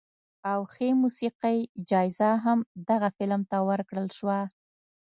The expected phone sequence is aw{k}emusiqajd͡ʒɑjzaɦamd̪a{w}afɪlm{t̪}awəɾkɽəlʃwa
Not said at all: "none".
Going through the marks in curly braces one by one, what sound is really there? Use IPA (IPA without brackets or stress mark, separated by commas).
x, ɣ, t̪